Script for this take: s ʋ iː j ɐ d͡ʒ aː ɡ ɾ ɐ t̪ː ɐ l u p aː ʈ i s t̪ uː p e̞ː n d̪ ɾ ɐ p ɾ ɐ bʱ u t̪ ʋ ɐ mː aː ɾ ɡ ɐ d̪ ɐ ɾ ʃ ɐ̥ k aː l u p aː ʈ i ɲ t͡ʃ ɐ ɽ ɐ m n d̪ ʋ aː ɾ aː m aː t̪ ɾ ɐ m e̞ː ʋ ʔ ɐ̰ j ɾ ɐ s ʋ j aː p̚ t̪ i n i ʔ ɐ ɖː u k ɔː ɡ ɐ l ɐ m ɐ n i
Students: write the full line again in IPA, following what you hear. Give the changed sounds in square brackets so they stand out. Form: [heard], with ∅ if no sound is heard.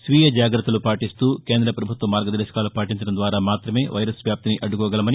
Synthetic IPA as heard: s ʋ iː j ɐ d͡ʒ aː ɡ ɾ ɐ t̪ː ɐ l u p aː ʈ i s t̪ uː [k] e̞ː n d̪ ɾ ɐ p ɾ ɐ bʱ u t̪ ʋ ɐ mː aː ɾ ɡ ɐ d̪ ɐ ɾ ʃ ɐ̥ k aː l u p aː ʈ i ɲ t͡ʃ ɐ ɽ ɐ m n d̪ ʋ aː ɾ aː m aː t̪ ɾ ɐ m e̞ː ʋ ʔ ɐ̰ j ɾ ɐ s ʋ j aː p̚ t̪ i n i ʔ ɐ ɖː u k ɔː ɡ ɐ l ɐ m ɐ n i